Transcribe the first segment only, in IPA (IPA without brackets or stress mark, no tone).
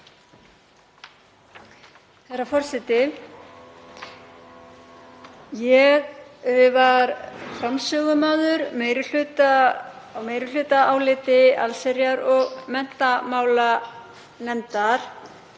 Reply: θ